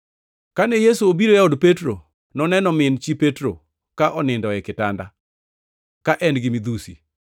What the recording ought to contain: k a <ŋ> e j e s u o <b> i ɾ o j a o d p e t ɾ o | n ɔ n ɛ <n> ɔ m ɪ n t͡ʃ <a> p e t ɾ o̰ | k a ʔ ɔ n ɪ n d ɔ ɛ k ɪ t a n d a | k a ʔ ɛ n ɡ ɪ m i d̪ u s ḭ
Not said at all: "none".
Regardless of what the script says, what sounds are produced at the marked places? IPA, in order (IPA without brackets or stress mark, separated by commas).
n, b, n, i